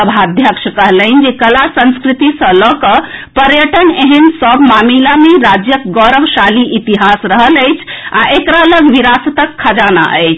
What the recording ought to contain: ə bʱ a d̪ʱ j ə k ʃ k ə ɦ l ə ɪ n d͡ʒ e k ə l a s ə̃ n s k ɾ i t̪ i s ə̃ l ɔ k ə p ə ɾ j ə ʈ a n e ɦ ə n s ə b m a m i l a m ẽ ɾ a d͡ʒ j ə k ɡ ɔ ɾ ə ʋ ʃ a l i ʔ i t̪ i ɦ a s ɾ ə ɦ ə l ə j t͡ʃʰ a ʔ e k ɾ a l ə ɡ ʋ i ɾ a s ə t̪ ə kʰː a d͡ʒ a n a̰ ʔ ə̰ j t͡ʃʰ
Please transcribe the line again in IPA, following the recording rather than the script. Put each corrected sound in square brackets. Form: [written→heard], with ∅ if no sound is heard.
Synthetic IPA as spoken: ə bʱ a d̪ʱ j ə k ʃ k ə ɦ l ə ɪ n d͡ʒ e k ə l a s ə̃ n s k ɾ i t̪ i s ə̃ l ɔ k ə p ə ɾ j ə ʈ [a→ə] n e ɦ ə n s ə b m a m i l a m [ẽ→e] ɾ a d͡ʒ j ə k ɡ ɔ ɾ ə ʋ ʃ a l i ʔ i t̪ i ɦ a s ɾ ə ɦ ə l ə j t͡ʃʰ a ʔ e k ɾ a l ə ɡ ʋ i ɾ a s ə t̪ ə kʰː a d͡ʒ a n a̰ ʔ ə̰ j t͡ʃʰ